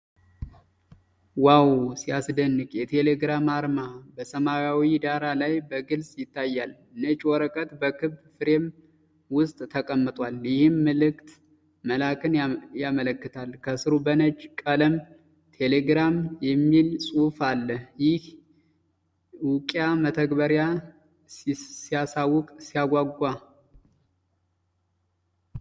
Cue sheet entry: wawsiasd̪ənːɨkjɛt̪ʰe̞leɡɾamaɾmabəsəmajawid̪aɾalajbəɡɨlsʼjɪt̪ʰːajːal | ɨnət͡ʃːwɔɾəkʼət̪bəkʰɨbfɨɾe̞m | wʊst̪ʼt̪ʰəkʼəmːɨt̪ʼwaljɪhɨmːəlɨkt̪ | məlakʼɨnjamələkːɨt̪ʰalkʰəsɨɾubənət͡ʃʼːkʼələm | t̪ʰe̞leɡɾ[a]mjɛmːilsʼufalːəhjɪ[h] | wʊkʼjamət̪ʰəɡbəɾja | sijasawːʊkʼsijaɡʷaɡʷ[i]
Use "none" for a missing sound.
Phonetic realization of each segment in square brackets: a, h, a

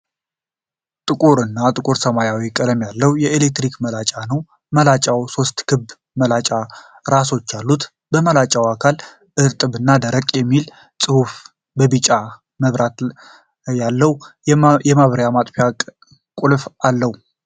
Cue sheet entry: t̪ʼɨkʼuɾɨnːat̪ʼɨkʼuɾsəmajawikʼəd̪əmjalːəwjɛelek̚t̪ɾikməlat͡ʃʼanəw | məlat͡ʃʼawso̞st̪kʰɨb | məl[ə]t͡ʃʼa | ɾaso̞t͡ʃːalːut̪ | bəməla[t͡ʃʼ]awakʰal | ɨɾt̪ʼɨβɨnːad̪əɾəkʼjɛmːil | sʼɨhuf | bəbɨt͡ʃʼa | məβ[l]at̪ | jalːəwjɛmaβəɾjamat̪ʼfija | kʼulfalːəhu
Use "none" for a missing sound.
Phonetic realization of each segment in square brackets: a, t͡ʃʼ, ɾ

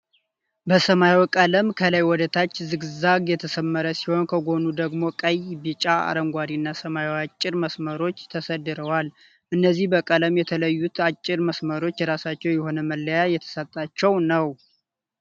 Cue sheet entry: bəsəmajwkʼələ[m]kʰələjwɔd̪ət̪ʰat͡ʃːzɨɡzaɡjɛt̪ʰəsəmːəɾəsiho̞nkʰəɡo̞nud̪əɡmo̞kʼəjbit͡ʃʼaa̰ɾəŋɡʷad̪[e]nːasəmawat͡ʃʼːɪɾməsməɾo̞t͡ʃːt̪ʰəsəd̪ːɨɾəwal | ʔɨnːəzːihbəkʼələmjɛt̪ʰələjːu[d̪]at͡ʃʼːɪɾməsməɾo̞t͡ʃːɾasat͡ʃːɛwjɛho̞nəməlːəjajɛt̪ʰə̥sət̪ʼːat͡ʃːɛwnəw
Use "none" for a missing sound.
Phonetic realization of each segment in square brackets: m, i, t̪

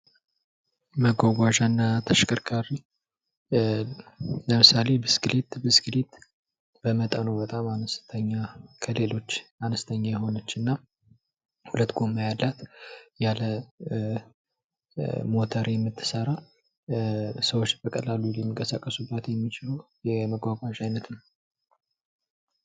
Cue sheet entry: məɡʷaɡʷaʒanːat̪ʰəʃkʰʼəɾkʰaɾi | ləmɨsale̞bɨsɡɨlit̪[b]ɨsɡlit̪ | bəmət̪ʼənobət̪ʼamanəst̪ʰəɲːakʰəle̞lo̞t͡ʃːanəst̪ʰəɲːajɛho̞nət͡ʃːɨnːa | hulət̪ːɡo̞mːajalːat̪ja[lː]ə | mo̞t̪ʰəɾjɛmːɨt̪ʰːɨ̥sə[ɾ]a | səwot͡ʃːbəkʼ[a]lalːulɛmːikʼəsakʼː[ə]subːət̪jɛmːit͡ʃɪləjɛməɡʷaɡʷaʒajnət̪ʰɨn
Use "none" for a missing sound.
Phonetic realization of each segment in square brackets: b, l, ɾ, ə, ə

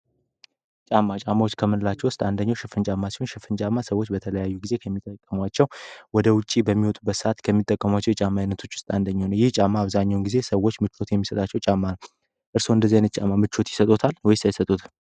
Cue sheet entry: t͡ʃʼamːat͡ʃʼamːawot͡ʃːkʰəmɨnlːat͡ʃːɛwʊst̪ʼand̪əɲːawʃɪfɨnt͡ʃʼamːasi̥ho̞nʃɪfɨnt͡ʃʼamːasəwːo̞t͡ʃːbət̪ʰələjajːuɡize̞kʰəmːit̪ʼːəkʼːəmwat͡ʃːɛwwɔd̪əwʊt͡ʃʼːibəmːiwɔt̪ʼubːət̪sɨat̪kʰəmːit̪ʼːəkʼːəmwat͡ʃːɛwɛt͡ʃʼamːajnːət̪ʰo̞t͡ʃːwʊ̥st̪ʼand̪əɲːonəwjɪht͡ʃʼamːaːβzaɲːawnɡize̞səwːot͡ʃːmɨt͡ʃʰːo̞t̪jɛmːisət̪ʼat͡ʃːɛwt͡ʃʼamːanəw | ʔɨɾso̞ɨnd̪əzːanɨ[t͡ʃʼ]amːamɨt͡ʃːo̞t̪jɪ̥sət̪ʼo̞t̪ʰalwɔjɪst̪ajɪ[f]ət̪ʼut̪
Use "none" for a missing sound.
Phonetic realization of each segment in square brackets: t͡ʃʼ, s

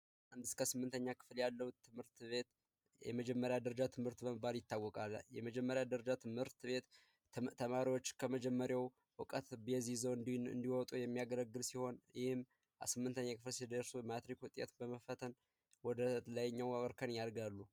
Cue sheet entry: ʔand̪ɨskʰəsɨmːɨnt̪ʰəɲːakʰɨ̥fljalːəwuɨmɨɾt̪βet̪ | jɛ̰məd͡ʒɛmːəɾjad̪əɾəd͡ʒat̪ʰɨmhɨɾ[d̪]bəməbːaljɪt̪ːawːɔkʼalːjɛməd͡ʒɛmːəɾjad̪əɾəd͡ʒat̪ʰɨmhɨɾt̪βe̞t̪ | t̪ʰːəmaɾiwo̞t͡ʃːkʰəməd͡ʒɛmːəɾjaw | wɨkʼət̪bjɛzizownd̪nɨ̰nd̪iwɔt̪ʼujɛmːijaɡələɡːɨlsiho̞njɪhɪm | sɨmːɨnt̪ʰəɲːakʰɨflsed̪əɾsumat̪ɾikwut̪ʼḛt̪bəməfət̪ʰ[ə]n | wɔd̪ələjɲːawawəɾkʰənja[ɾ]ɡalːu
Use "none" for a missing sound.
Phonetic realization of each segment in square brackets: t̪, ə, ɾ

